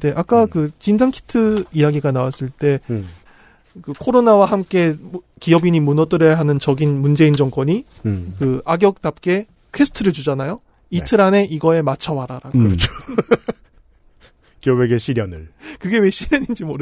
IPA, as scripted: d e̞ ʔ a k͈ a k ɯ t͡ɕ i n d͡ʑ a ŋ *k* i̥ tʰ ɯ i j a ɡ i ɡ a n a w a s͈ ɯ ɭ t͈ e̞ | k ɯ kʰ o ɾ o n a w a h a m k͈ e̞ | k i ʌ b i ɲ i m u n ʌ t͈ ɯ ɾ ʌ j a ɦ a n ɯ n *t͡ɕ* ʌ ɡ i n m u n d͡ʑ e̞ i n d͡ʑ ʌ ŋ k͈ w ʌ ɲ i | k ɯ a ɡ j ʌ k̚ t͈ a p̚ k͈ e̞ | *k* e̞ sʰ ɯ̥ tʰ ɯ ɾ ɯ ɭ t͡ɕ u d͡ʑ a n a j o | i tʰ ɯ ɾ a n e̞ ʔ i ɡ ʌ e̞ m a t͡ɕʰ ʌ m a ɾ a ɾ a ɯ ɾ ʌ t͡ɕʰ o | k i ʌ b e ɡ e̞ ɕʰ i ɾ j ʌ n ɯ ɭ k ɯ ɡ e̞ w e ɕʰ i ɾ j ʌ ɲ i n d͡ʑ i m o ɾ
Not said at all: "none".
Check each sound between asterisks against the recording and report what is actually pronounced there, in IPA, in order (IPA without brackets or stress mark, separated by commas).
kʰ, t͡ɕ, kʰ